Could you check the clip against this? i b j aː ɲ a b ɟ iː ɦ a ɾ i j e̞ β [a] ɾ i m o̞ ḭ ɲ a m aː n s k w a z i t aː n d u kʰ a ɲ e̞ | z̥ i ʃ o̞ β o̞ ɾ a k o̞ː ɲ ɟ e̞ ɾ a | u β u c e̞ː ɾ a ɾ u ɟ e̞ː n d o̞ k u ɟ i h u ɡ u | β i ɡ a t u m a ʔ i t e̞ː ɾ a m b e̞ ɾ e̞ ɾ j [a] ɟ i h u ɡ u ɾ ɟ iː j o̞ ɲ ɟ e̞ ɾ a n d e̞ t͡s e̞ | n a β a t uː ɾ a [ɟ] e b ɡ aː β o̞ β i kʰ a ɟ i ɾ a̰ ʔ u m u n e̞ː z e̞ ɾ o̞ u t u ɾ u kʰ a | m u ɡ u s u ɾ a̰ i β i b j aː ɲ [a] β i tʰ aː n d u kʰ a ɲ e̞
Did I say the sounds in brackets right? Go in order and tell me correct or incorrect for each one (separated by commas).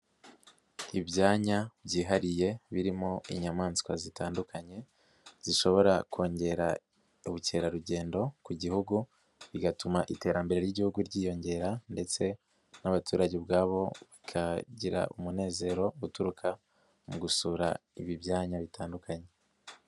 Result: incorrect, incorrect, correct, correct